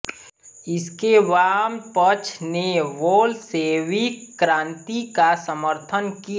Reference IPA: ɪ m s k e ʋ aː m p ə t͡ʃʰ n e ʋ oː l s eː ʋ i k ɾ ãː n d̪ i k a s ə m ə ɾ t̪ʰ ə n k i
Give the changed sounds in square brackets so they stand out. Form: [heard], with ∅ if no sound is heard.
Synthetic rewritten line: ɪ [∅] s k e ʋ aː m p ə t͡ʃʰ n e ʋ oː l s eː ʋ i k ɾ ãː n [t̪] i k a s ə m ə ɾ t̪ʰ ə n k i